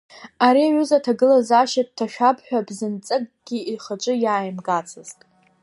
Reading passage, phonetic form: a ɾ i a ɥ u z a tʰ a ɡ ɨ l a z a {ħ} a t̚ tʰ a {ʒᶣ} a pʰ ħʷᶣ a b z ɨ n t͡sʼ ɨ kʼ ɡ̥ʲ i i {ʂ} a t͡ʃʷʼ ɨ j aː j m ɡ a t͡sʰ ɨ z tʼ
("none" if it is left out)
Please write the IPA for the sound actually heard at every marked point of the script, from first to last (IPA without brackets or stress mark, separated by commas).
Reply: ʃ, ʃᶣ, χ